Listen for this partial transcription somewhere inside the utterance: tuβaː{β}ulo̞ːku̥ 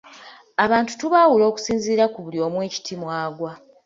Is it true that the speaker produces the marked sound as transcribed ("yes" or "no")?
no